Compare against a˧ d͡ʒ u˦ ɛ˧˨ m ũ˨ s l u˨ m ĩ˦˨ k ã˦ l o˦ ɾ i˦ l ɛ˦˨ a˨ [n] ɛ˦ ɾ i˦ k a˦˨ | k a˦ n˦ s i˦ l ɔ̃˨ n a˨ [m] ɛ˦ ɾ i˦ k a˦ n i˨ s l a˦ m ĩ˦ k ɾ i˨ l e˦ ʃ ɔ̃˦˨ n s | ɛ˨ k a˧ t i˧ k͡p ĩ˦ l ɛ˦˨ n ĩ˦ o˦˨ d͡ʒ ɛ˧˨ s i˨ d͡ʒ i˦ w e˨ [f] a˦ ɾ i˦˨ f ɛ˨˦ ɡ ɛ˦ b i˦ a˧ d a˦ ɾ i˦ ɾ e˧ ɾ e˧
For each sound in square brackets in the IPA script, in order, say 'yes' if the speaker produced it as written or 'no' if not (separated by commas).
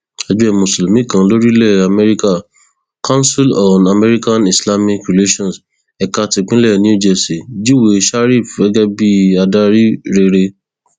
no, yes, no